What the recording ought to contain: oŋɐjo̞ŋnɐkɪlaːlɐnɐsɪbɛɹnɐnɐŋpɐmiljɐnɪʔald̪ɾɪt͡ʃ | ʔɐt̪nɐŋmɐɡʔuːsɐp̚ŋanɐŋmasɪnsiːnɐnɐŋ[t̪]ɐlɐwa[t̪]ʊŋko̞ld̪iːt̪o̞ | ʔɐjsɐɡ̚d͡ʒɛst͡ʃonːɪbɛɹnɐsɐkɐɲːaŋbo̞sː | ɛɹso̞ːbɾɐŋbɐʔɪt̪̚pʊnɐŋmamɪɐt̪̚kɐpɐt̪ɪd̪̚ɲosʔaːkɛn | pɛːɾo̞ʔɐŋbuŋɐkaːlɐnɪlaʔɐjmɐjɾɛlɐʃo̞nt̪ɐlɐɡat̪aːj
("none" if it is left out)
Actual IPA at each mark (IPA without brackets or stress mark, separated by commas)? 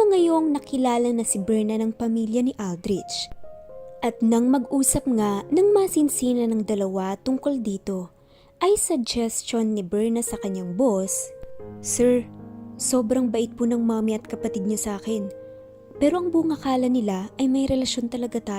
d̪, t̪